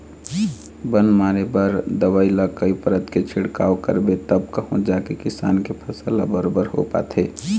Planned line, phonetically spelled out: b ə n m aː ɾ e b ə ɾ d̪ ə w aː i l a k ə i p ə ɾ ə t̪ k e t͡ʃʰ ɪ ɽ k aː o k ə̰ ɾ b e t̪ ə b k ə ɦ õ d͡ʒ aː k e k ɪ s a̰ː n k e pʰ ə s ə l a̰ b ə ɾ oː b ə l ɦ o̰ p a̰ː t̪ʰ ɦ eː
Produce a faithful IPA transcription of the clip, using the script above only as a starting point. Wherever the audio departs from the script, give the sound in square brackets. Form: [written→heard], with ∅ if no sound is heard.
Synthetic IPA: b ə n m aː ɾ e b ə ɾ d̪ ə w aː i l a k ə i p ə ɾ ə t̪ k e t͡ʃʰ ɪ ɽ k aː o k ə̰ ɾ b e t̪ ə b k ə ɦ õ d͡ʒ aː k e k ɪ s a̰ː n k e pʰ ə s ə l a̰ b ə ɾ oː b ə [l→ɾ] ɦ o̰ p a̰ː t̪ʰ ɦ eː